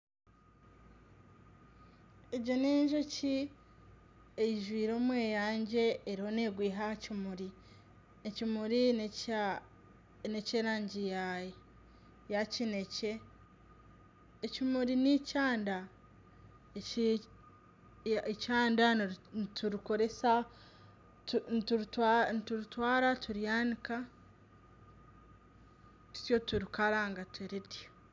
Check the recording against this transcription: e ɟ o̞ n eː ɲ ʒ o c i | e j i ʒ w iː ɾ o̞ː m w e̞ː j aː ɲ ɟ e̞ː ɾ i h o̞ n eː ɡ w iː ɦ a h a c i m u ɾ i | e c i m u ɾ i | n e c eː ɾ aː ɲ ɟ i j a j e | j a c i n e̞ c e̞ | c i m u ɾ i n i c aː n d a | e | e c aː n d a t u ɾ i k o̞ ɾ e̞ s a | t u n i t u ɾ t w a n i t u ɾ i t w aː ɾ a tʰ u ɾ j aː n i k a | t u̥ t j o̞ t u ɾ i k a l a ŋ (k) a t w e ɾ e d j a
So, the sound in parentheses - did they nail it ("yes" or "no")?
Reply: no